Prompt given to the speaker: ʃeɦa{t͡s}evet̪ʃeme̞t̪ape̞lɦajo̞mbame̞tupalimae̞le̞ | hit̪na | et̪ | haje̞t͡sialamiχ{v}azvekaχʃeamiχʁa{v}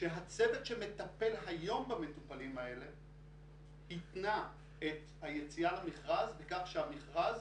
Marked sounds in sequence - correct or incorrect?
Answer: correct, incorrect, incorrect

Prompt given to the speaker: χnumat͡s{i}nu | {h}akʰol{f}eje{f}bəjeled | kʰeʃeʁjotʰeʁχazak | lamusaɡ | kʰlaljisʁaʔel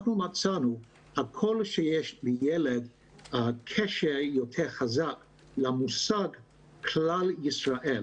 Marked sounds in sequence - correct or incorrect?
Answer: incorrect, correct, incorrect, incorrect

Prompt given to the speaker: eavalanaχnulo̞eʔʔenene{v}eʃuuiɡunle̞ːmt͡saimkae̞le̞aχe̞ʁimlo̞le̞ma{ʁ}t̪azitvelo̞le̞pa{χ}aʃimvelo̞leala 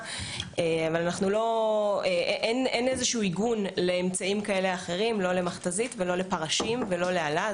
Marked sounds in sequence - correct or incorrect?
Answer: incorrect, incorrect, incorrect

